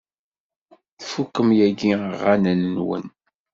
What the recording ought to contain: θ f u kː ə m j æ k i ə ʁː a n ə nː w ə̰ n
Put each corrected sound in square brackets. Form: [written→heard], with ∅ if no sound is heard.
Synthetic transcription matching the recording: θ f u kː ə m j æ [k→ɡ] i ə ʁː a n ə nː w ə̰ n